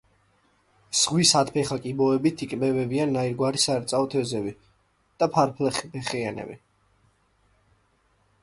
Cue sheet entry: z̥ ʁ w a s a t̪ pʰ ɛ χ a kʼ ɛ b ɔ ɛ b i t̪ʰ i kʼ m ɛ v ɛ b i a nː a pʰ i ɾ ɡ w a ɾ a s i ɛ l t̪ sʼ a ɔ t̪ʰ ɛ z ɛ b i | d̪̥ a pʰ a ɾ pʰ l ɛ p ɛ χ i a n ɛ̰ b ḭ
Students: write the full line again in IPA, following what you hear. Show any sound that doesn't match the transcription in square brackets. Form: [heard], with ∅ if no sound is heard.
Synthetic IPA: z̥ ʁ w [i] s a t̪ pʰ ɛ χ a kʼ [i] b ɔ ɛ b i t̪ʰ i kʼ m ɛ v ɛ b i a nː a [∅] i ɾ ɡ w a ɾ [i] s [a] ɛ [ɾ] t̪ sʼ a ɔ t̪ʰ ɛ z ɛ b i | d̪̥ a pʰ a ɾ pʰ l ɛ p ɛ χ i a n ɛ̰ b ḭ

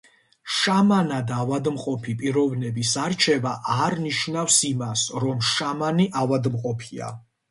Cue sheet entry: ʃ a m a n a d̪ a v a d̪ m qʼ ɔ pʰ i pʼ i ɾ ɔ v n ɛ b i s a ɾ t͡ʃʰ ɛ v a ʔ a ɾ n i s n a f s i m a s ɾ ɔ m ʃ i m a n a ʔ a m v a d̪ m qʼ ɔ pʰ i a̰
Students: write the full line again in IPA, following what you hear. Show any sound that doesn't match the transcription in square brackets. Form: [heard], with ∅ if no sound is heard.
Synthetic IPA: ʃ a m a n a d̪ a v a d̪ m qʼ ɔ pʰ i pʼ i ɾ ɔ v n ɛ b i s a ɾ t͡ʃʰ ɛ v a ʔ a ɾ n i [ʃ] n a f s i m a s ɾ ɔ m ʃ [a] m a n [i] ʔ a [∅] v a d̪ m qʼ ɔ pʰ i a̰

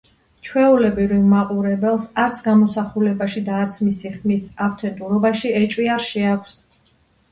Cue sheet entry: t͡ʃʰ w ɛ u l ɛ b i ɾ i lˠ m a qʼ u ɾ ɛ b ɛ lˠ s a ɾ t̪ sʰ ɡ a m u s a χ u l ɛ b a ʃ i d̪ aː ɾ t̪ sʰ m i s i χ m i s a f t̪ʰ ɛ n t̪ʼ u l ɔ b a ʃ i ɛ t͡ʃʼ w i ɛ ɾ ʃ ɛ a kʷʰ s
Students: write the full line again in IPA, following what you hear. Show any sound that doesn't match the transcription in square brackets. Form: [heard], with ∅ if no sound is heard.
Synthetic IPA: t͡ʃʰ w ɛ u l ɛ b i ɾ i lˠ m a qʼ u ɾ ɛ b ɛ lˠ s a ɾ t̪ sʰ ɡ a m [ɔ] s a χ u l ɛ b a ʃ i d̪ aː ɾ t̪ sʰ m i s i χ m i s a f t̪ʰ ɛ n t̪ʼ u [ɾ] ɔ b a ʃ i ɛ t͡ʃʼ w i [a] ɾ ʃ ɛ a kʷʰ s

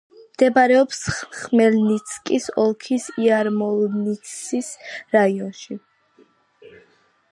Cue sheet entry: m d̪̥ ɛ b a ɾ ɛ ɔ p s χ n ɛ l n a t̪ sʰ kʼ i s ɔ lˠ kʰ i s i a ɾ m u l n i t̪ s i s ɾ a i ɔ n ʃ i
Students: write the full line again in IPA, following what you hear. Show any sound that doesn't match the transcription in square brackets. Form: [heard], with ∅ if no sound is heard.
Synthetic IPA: m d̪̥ ɛ b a ɾ ɛ ɔ p s χ [m] ɛ l n [i] t̪ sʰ kʼ i s ɔ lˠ kʰ i s i a ɾ m [ɔ] l n i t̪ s i s ɾ a i ɔ n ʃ i

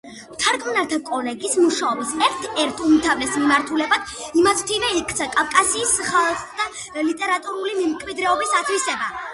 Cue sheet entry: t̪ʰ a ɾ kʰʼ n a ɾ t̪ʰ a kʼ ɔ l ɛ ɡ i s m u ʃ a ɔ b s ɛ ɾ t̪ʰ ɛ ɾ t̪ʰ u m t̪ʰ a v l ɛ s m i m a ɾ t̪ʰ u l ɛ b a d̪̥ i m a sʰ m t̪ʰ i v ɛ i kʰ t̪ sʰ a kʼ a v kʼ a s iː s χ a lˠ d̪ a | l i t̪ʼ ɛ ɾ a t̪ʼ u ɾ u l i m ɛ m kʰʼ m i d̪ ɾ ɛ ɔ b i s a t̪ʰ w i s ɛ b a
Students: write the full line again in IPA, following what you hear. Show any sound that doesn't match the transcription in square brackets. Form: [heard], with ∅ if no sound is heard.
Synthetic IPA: t̪ʰ a ɾ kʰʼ n a ɾ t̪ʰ a kʼ ɔ l ɛ ɡ i s m u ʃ a ɔ b s ɛ ɾ t̪ʰ ɛ ɾ t̪ʰ u m t̪ʰ a v l ɛ s m i m a ɾ t̪ʰ u l ɛ b a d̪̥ i m a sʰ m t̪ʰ i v ɛ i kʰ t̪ sʰ a kʼ a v kʼ a s iː s χ a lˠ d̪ a | l i t̪ʼ ɛ ɾ a t̪ʼ u ɾ u l i m ɛ m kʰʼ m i d̪ ɾ ɛ ɔ b i s a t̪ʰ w i s ɛ b a

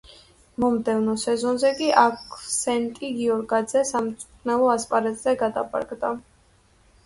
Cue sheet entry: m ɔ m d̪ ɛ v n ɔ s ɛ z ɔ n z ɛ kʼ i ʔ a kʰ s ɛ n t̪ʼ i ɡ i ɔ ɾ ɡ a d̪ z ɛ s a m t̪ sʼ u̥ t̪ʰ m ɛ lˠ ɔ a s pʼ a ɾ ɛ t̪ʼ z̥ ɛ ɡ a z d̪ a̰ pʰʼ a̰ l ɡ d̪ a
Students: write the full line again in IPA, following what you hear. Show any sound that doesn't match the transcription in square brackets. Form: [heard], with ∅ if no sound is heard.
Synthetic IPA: m ɔ m d̪ ɛ v n ɔ s ɛ z ɔ n z ɛ kʼ i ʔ a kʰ s ɛ n t̪ʼ i ɡ i ɔ ɾ ɡ a d̪ z ɛ s a m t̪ sʼ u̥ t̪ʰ [n] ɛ lˠ ɔ a s pʼ a ɾ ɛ t̪ʼ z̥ ɛ ɡ a [∅] d̪ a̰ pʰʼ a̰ [ɾ] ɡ d̪ a

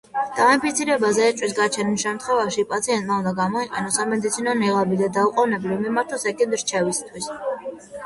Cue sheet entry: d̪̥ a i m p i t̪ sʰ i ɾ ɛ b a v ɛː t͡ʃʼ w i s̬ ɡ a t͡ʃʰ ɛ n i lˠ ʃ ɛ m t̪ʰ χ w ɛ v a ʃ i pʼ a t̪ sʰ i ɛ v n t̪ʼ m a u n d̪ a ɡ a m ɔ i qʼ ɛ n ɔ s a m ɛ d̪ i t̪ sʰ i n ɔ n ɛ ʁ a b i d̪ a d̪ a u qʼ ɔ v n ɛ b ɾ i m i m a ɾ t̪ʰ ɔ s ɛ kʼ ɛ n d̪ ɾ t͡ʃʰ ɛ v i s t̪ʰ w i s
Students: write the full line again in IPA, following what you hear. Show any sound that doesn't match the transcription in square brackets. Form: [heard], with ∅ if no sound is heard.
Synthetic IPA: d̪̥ a i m p i t̪ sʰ i ɾ ɛ b a [z] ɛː t͡ʃʼ w i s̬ ɡ a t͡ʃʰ ɛ n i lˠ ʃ ɛ m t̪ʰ χ w ɛ v a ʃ i pʼ a t̪ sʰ i ɛ [∅] n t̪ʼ m a u n d̪ a ɡ a m ɔ i qʼ ɛ n ɔ s a m ɛ d̪ i t̪ sʰ i n ɔ n ɛ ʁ a b i d̪ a d̪ a u qʼ ɔ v n ɛ b [l] i m i m a ɾ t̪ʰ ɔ s ɛ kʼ ɛ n d̪ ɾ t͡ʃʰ ɛ v i s t̪ʰ w i s

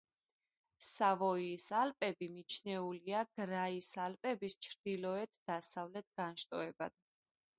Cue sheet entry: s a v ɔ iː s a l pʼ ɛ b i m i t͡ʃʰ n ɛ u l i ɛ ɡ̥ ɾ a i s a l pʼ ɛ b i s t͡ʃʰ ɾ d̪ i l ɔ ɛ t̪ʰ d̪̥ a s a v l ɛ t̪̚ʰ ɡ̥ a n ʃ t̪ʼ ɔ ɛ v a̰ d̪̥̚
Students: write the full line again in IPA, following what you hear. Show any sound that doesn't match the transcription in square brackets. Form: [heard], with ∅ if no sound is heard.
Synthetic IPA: s a v ɔ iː s a l pʼ ɛ b i m i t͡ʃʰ n ɛ u l i [a] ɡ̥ ɾ a i s a l pʼ ɛ b i s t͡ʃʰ ɾ d̪ i l ɔ ɛ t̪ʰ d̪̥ a s a v l ɛ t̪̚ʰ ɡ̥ a n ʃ t̪ʼ ɔ ɛ [b] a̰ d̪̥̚

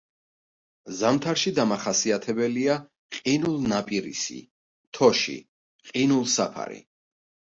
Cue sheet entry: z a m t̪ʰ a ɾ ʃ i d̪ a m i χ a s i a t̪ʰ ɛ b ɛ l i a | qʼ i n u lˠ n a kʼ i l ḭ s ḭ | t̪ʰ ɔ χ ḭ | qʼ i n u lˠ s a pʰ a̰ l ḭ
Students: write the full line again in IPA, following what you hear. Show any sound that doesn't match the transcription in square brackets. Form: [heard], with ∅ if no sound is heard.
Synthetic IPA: z a m t̪ʰ a ɾ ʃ i d̪ a m [a] χ a s i a t̪ʰ ɛ b ɛ l i a | qʼ i n u lˠ n a [pʼ] i [ɾ] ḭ s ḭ | t̪ʰ ɔ [ʃ] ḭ | qʼ i n u lˠ s a pʰ a̰ [ɾ] ḭ

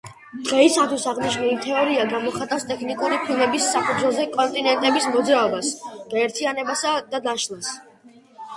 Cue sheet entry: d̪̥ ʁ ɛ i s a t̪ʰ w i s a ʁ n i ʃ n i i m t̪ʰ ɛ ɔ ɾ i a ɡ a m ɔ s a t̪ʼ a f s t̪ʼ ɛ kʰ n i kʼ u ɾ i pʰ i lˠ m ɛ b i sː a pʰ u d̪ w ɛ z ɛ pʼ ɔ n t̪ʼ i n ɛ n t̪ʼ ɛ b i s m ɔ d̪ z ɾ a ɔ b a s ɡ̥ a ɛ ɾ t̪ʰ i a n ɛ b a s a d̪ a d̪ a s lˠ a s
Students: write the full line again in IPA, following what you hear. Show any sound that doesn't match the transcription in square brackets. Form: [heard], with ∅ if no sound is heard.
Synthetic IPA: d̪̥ ʁ ɛ i s a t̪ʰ w i s a ʁ n i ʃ n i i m t̪ʰ ɛ ɔ ɾ i a ɡ a m ɔ [χ] a t̪ʼ a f s t̪ʼ ɛ kʰ n i kʼ u ɾ i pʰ i lˠ m ɛ b i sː a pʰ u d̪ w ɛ z ɛ [kʼ] ɔ n t̪ʼ i n ɛ n t̪ʼ ɛ b i s m ɔ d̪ z ɾ a ɔ b a s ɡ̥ a ɛ ɾ t̪ʰ i a n ɛ b a s a d̪ a d̪ a [ʃ] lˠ a s

